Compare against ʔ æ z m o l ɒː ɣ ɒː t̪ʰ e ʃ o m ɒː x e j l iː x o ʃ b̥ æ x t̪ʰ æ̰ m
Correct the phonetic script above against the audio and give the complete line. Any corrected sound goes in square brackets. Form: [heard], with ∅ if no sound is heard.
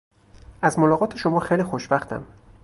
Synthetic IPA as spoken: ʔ æ z m o l ɒː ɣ ɒː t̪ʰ e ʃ o m ɒː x e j l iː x o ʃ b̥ æ x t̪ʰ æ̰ m

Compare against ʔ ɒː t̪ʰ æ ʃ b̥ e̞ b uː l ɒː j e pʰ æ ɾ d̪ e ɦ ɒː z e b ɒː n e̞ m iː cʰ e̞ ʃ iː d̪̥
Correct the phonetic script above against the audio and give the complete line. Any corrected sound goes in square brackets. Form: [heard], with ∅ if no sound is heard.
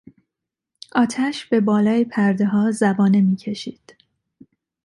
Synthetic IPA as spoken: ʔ ɒː t̪ʰ æ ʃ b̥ e̞ b [ɒː] l ɒː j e pʰ æ ɾ d̪ e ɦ ɒː z [æ] b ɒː n e̞ m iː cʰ e̞ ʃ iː d̪̥

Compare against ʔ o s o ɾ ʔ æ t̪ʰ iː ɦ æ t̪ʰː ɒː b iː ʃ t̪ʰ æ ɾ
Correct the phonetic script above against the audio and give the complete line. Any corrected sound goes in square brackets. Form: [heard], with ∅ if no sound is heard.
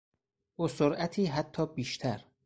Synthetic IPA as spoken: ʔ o s o ɾ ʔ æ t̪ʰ iː ɦ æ t̪ʰː ɒː b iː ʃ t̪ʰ æ ɾ

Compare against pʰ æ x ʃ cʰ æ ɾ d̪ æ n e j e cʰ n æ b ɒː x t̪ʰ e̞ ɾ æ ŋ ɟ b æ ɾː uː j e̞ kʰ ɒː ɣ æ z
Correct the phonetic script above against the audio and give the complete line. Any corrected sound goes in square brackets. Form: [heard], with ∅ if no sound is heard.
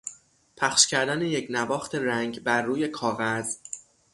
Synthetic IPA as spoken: pʰ æ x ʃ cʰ æ ɾ d̪ æ n e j e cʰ n æ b ɒː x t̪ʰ e̞ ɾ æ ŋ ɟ b æ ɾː uː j e̞ kʰ ɒː ɣ æ z

